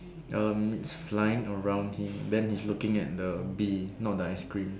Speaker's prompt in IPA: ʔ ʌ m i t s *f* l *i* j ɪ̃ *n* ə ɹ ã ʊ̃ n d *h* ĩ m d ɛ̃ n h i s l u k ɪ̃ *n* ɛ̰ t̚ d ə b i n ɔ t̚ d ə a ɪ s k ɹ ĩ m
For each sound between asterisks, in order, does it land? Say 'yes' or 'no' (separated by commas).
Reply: yes, no, no, yes, no